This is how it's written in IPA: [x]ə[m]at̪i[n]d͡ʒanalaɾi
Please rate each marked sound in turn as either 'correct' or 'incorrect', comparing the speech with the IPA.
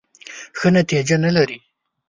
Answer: correct, incorrect, incorrect

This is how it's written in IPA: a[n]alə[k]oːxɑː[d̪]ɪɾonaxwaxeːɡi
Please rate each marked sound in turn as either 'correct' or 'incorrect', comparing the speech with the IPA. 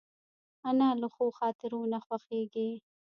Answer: correct, incorrect, incorrect

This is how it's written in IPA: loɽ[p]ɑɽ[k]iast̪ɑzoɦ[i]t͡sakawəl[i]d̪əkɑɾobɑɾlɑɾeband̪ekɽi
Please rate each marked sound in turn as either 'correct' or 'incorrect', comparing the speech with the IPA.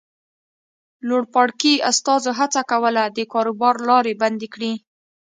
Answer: correct, correct, incorrect, incorrect

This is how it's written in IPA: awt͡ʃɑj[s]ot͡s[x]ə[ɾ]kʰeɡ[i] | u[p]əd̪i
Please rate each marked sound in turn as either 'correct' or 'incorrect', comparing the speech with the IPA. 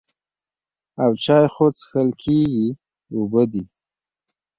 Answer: incorrect, correct, incorrect, correct, incorrect

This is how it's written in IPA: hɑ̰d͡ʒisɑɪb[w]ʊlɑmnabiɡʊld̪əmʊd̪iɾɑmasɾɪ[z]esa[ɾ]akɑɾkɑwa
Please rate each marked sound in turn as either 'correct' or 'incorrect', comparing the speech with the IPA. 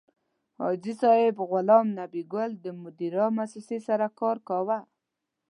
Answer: incorrect, incorrect, correct

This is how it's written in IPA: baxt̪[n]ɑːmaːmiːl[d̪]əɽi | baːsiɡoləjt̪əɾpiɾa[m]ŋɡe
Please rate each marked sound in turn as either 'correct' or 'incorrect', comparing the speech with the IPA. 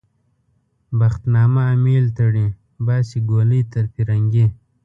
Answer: correct, incorrect, incorrect

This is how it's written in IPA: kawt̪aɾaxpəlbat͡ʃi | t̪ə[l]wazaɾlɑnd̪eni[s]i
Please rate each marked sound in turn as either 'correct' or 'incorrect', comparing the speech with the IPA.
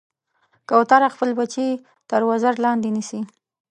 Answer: incorrect, correct

